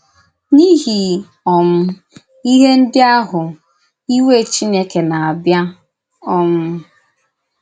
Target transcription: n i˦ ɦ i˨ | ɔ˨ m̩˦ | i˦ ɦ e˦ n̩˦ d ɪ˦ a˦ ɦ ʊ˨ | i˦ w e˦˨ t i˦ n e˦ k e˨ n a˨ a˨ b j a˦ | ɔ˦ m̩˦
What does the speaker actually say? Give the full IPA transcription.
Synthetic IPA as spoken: n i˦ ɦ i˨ | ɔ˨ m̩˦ | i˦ ɦ e˦ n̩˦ d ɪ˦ a˦ ɦ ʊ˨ | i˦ w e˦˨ t͡ʃ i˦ n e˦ k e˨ n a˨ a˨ b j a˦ | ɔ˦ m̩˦